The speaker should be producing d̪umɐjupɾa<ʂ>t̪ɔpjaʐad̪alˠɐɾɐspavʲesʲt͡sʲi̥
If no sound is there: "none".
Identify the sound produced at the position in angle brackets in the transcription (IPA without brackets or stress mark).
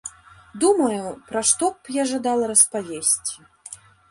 ʂ